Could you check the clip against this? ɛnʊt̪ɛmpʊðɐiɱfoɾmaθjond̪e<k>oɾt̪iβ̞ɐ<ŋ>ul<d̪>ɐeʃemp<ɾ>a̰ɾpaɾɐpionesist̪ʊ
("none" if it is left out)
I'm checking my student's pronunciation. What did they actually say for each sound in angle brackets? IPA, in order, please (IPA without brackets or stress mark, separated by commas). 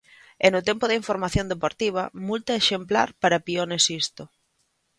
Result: p, m, t̪, l